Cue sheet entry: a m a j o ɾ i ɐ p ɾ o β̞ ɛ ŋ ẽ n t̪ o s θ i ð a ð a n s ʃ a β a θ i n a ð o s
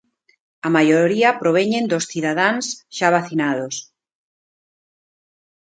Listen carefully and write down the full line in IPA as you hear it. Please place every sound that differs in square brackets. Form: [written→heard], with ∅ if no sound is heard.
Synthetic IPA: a m a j o ɾ i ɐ p ɾ o β̞ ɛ [ŋ→ɲ] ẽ n [t̪→d̪] o s θ i ð a ð a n s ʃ a β a θ i n a ð o s